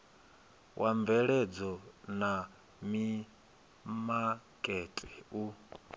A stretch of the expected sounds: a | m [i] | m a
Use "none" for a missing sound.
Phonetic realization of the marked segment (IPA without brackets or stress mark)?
i